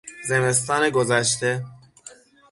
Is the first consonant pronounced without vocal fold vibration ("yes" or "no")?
no